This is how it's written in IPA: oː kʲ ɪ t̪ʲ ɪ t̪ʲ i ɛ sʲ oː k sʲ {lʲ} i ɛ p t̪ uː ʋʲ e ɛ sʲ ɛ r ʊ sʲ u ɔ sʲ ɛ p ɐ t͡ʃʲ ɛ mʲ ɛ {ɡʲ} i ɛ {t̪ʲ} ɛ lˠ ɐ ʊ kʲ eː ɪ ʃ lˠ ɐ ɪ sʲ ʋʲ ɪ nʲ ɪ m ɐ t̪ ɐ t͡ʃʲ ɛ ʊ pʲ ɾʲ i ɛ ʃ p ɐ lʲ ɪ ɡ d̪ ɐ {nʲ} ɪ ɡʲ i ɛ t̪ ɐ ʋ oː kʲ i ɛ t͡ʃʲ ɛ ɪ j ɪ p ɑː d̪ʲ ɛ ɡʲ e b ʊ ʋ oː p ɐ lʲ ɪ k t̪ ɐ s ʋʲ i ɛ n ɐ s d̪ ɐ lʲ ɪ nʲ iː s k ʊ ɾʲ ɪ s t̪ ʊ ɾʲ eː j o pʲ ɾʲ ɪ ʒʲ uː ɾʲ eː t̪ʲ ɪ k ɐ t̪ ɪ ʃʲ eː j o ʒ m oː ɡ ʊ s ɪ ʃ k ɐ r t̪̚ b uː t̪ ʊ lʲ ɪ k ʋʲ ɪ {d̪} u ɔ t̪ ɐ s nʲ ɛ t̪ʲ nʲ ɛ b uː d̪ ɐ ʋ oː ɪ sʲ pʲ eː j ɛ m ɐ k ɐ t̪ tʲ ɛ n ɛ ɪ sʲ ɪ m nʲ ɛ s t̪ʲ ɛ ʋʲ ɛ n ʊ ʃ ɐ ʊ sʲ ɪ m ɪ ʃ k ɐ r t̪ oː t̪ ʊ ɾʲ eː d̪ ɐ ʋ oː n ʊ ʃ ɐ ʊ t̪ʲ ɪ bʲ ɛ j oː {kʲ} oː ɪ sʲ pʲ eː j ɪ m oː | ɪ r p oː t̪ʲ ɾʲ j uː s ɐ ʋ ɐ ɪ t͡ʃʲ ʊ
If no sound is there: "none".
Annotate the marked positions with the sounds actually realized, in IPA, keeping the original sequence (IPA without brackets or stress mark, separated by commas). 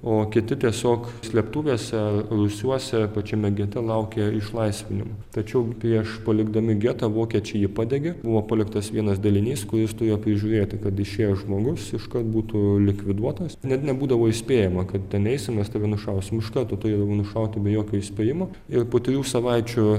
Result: lʲ, ɡʲ, t̪ʲ, mʲ, d̪, kʲ